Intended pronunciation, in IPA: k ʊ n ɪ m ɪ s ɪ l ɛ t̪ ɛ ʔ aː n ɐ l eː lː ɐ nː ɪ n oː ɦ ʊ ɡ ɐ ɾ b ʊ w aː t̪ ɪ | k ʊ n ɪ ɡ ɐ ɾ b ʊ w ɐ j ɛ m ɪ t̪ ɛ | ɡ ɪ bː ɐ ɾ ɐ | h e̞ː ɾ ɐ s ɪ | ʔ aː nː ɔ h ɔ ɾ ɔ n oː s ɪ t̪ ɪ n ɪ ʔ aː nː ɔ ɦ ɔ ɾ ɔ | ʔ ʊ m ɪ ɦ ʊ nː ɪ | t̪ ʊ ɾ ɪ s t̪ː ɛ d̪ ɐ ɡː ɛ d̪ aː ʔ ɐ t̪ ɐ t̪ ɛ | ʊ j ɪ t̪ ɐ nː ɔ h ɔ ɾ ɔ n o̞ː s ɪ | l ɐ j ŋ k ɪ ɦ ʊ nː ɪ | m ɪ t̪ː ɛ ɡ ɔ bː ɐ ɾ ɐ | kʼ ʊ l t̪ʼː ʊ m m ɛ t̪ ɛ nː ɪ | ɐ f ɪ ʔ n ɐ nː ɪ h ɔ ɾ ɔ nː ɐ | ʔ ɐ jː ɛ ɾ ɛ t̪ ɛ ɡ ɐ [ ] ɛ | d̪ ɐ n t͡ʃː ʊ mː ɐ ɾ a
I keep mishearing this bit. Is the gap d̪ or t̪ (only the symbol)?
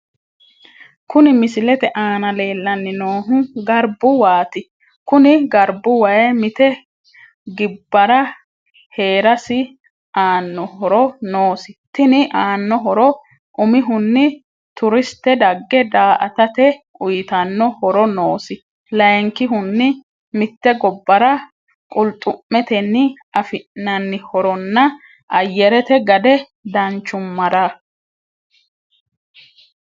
d̪